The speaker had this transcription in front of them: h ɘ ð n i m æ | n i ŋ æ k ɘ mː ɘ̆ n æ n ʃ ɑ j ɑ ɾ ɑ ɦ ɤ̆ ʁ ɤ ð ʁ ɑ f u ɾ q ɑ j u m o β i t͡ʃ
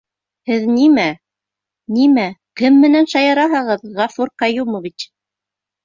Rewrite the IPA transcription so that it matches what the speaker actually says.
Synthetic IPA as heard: h ɘ ð n i m æ | n i m æ k ɘ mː ɘ̆ n æ n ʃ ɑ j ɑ ɾ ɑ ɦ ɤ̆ ʁ ɤ ð ʁ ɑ f u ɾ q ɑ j u m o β i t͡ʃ